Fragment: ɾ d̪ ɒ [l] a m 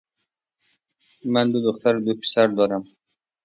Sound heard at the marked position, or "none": ɾ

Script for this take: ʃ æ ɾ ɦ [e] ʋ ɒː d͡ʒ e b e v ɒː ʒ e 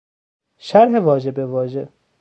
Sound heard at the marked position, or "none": e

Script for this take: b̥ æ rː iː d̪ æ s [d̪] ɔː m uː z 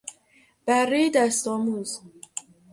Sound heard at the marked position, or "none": t̪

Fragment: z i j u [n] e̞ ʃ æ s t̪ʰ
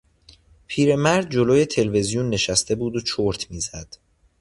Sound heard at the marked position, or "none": nː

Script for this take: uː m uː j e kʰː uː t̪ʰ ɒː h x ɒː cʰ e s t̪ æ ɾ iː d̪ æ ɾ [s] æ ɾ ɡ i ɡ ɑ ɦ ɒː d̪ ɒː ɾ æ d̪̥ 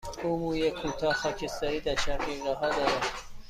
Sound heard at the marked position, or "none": ʃ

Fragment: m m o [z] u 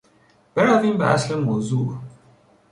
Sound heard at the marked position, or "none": z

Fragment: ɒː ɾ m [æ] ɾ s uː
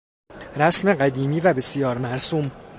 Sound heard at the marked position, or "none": æ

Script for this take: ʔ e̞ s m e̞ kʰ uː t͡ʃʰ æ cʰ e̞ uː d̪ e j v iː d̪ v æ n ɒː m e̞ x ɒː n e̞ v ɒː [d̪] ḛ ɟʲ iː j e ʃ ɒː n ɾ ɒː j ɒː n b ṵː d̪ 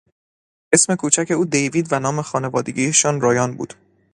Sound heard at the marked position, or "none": d̪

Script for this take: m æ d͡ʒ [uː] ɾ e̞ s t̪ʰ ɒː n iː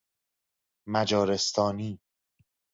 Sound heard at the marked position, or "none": ɒː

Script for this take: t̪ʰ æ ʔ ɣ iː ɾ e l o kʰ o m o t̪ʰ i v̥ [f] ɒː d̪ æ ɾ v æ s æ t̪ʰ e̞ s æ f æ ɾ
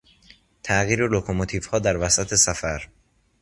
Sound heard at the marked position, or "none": h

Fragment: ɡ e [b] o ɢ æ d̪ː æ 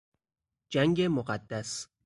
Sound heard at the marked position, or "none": m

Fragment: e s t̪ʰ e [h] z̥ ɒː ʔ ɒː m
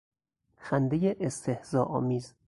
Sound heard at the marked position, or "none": h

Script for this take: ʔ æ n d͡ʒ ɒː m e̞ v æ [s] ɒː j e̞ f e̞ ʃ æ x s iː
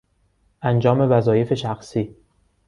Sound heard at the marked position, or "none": z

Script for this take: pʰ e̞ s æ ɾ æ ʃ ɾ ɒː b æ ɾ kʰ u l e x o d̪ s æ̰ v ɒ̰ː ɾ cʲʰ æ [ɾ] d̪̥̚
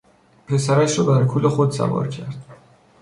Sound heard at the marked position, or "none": ɾ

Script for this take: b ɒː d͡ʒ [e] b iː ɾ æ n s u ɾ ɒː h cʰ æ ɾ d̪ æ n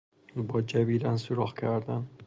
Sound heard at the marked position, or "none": æ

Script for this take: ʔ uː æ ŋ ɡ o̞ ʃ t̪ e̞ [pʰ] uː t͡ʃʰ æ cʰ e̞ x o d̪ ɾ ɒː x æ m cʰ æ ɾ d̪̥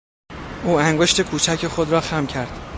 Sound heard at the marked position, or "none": kʰ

